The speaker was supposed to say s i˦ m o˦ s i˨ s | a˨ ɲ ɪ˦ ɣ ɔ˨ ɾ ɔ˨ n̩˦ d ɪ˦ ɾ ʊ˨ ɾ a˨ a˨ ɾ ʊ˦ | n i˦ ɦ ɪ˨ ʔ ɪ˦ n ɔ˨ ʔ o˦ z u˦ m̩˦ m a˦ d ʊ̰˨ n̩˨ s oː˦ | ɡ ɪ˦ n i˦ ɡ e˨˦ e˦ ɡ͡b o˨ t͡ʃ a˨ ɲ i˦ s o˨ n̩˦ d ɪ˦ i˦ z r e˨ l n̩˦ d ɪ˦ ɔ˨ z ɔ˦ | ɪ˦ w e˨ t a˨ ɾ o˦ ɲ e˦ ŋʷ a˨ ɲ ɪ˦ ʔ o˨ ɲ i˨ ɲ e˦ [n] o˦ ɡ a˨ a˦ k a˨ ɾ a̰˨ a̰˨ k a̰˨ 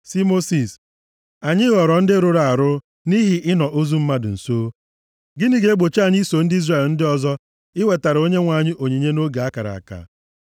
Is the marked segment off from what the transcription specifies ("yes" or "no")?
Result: no